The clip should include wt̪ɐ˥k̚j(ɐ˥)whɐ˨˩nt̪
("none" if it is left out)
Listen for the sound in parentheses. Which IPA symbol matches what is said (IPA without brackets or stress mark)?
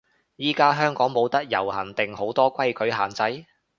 ɐ˨˩